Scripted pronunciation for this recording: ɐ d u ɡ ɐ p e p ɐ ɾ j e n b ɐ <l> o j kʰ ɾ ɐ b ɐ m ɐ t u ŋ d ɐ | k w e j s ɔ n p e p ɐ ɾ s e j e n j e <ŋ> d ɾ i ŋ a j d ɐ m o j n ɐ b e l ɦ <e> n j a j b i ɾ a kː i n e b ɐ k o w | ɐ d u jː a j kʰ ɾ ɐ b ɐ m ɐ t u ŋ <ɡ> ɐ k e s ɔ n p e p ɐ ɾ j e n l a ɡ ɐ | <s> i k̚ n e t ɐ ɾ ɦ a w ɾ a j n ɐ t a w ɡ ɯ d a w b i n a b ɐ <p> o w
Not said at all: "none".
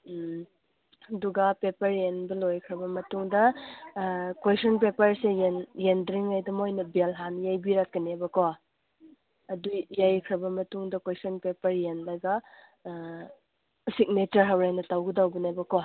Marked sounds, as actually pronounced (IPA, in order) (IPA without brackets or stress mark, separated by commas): l, n, a, d, s, k